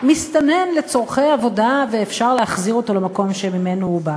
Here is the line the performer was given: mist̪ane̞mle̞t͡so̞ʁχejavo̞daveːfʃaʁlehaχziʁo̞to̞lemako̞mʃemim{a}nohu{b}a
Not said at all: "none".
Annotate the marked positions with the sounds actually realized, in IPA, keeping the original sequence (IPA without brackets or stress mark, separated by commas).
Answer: e, b